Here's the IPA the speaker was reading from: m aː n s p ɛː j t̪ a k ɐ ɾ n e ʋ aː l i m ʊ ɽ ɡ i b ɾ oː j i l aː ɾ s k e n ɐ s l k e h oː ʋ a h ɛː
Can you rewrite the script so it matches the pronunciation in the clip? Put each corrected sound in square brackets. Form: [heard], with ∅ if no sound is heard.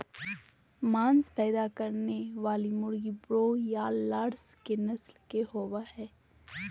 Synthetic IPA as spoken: m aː n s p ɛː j [d̪] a k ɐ ɾ n e ʋ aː l i m ʊ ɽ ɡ i b ɾ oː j [a] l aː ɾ s k e n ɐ s l k e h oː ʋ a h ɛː

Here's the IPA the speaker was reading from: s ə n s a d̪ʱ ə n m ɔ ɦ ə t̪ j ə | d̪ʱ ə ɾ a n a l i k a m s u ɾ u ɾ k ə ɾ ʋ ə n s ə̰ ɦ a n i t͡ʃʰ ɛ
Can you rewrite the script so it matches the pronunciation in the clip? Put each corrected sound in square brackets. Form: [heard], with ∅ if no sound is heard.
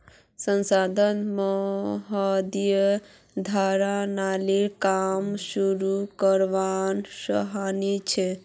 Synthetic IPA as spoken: s ə n s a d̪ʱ ə n m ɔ ɦ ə [d̪] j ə | d̪ʱ [a] ɾ a n a l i k a m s u ɾ u [∅] k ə ɾ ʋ [a] n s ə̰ ɦ a n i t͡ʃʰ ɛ

